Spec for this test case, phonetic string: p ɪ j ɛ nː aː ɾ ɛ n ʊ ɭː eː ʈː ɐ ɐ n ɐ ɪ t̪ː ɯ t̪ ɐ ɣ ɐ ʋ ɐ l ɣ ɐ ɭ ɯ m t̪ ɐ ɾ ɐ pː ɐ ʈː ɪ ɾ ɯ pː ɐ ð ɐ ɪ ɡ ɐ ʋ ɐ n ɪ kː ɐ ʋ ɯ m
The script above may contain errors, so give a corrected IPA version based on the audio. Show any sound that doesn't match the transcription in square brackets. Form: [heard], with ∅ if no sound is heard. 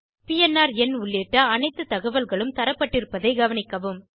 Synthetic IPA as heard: p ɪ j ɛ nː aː ɾ ɛ n ʊ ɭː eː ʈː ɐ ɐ n ɐ ɪ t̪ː ɯ t̪ ɐ ɣ ɐ ʋ ɐ l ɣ ɐ ɭ ɯ m t̪ ɐ ɾ ɐ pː ɐ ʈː ɪ ɾ ɯ pː ɐ ð ɐ ɪ ɡ ɐ ʋ ɐ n ɪ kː ɐ ʋ ɯ m